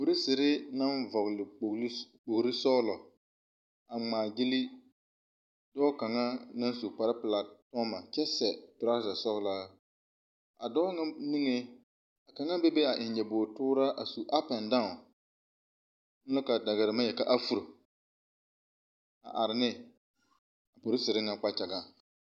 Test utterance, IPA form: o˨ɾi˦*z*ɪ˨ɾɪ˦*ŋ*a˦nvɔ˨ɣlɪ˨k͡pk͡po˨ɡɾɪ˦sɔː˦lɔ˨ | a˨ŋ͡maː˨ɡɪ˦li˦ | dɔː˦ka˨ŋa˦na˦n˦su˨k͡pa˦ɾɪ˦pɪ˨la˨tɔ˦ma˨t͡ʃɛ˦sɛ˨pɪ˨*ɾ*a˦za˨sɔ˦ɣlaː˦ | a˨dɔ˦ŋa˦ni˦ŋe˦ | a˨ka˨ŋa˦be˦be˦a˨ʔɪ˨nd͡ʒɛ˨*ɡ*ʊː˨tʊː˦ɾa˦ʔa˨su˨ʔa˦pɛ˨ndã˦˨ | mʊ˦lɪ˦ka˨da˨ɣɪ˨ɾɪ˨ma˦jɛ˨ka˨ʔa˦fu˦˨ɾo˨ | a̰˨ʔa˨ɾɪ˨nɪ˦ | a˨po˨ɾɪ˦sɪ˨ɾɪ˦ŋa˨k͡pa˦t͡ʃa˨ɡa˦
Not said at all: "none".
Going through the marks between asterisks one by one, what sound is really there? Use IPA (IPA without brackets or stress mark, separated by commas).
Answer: s, n, ɾ, b